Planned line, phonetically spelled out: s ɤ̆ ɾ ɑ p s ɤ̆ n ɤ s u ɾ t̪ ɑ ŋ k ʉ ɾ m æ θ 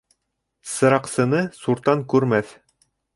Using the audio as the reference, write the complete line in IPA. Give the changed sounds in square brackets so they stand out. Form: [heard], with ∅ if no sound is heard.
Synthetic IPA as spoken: s ɤ̆ ɾ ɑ [q] s ɤ̆ n ɤ s u ɾ t̪ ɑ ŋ k ʉ ɾ m æ θ